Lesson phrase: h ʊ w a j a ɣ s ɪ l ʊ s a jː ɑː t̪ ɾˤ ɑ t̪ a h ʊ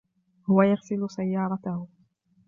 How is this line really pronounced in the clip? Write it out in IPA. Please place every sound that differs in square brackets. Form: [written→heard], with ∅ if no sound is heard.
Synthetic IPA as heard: h ʊ w a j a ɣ s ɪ l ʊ s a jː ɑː [t̪→∅] ɾˤ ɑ t̪ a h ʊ